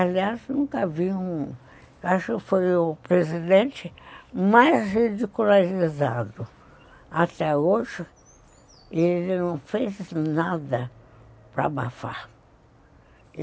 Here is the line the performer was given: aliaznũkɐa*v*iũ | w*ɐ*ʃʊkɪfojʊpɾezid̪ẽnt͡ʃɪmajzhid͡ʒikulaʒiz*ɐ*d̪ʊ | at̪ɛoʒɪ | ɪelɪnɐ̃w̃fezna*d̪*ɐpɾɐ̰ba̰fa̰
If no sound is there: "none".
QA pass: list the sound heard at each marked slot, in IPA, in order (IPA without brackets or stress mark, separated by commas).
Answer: v, a, a, d̪